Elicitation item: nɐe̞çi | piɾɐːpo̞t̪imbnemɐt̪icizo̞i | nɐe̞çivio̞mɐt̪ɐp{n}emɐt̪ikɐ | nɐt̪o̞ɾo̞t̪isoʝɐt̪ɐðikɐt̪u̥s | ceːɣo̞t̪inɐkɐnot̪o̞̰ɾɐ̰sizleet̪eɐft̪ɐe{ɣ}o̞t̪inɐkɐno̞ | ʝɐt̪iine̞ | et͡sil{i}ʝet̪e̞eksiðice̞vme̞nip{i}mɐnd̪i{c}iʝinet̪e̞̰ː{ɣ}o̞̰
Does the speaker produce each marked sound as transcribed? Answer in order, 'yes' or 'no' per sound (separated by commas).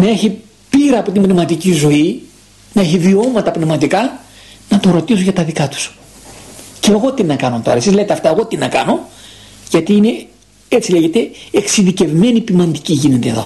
yes, yes, no, yes, yes, no